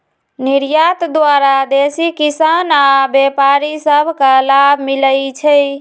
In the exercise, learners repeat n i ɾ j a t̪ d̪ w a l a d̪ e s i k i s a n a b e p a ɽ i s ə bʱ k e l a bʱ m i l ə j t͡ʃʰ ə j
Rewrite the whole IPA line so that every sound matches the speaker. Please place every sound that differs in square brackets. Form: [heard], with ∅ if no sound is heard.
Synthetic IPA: n i ɾ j a t̪ d̪ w a [ɾ] a d̪ e s i k i s a n a b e p a [ɾ] i s ə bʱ k [a] l a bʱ m i l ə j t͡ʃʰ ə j